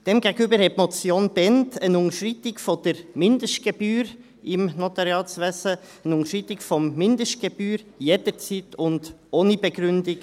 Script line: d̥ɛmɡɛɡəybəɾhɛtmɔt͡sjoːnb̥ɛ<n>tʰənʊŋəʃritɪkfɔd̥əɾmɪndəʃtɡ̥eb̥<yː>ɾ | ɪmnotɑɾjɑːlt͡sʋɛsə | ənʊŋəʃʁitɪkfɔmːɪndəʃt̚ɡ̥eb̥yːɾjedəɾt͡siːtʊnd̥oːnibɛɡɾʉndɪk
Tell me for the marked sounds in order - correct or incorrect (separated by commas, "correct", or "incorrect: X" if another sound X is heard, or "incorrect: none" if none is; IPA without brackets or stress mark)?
correct, correct